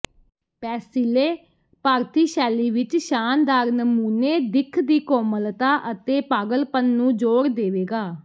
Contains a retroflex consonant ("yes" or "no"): no